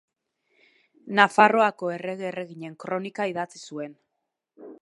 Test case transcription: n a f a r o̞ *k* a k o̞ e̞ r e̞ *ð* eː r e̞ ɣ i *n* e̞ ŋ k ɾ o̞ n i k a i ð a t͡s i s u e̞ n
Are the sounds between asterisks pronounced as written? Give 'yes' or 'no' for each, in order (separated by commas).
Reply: no, no, no